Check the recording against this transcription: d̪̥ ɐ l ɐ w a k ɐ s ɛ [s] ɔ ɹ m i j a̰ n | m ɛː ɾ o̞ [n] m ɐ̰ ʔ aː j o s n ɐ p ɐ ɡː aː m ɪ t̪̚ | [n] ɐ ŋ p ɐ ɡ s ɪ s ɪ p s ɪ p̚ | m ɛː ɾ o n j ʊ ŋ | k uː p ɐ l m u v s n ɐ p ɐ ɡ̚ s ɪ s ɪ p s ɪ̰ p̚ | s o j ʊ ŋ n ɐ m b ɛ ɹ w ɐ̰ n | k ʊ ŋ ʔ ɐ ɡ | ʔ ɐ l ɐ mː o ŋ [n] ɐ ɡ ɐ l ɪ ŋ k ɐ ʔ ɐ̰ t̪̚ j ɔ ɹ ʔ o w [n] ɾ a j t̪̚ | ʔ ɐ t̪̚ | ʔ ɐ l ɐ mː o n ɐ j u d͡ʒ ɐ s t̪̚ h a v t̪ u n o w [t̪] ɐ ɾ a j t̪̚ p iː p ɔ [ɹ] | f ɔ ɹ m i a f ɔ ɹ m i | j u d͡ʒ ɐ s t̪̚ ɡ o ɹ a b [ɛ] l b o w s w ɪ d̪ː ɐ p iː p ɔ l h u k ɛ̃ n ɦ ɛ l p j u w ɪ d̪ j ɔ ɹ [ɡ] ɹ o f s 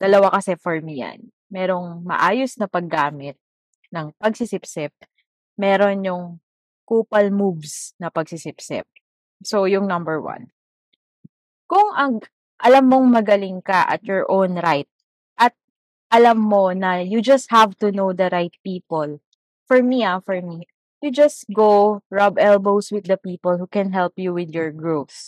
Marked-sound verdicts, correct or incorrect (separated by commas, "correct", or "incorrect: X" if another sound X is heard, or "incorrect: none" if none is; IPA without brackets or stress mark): incorrect: f, incorrect: ŋ, correct, incorrect: m, correct, incorrect: d̪, incorrect: l, correct, correct